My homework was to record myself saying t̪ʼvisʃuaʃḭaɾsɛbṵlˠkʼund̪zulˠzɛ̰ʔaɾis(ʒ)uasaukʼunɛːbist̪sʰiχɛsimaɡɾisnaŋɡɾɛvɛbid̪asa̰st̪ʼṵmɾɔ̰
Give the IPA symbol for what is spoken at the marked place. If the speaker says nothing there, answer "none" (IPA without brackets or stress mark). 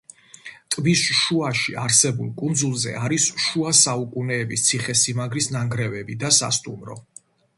ʃ